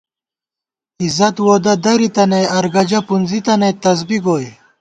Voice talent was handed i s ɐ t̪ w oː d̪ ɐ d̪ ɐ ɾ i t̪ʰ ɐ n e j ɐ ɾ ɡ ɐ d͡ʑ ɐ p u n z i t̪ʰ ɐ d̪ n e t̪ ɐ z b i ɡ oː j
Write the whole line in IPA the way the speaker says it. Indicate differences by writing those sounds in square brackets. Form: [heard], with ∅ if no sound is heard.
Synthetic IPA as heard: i [z] ɐ t̪ w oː d̪ ɐ d̪ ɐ ɾ i [t̪] ɐ n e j ɐ ɾ ɡ ɐ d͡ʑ ɐ p u n z i [t̪] ɐ [∅] n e t̪ ɐ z b i ɡ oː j